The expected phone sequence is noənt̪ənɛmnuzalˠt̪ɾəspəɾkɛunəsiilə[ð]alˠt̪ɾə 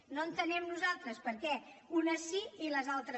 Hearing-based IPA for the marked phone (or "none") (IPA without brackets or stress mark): z